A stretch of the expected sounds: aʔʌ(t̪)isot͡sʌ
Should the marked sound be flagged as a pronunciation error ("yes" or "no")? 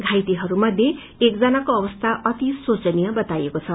no